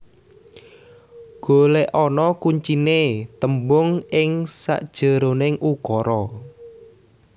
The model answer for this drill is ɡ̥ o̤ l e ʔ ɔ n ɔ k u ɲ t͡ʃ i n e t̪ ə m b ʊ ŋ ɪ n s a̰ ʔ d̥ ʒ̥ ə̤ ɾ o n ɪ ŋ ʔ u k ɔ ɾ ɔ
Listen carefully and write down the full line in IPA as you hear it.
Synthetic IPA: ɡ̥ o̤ l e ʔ ɔ n ɔ k u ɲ t͡ʃ i n e t̪ ə m b ʊ ŋ ɪ ŋ s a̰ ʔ d̥ ʒ̥ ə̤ ɾ o n ɪ ŋ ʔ u k ɔ ɾ ɔ